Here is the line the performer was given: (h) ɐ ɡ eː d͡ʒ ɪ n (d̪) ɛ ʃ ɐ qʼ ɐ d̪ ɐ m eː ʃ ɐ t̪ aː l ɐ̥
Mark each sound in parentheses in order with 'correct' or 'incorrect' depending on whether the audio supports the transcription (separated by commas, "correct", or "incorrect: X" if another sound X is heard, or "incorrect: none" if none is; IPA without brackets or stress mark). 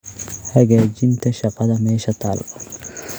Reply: correct, incorrect: t̪